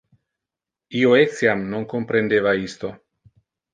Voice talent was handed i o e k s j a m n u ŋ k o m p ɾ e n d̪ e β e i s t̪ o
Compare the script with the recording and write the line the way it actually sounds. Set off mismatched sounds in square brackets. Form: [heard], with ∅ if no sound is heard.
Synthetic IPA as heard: i o e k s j a m n [o] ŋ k o m p ɾ e n d̪ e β [a] i s t̪ o